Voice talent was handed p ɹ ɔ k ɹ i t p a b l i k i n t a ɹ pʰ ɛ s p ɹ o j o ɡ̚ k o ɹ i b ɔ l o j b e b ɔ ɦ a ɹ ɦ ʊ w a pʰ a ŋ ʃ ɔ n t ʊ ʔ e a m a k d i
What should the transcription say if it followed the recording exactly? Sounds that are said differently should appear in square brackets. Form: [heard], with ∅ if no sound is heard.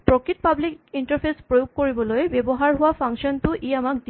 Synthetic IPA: p ɹ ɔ k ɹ i t p a b l i k i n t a ɹ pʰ [e] s p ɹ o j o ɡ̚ k o ɹ i b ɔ l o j b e b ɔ ɦ a ɹ ɦ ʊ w a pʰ a ŋ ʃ ɔ n t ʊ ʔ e a m a k d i